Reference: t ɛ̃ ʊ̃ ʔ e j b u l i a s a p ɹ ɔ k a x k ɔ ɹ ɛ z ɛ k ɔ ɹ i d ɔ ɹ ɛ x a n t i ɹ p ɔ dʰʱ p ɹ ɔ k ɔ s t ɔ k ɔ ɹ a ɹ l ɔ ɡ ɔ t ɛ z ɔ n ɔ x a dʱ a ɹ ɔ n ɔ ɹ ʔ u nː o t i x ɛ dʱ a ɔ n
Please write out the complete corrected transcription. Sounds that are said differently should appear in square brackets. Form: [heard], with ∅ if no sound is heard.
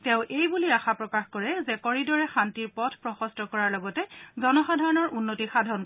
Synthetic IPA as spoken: t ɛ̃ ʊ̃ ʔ e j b u l i a [x] a p ɹ ɔ k a x k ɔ ɹ ɛ z ɛ k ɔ ɹ i d ɔ ɹ ɛ x a n t i ɹ p ɔ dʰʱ p ɹ ɔ [x] ɔ s t ɔ k ɔ ɹ a ɹ l ɔ ɡ ɔ t ɛ z ɔ n ɔ x a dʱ a ɹ ɔ n ɔ ɹ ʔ u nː o t i x [a] dʱ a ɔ n

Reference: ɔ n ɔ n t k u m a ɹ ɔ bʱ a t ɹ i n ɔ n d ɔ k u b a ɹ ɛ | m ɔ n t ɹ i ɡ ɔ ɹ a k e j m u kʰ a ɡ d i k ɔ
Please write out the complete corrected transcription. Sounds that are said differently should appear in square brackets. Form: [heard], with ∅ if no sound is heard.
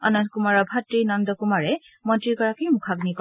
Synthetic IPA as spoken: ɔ n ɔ n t k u m a ɹ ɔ bʱ a t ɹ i n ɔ n d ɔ k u [m] a ɹ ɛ | m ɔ n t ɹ i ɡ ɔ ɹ a k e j m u kʰ a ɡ [n] i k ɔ

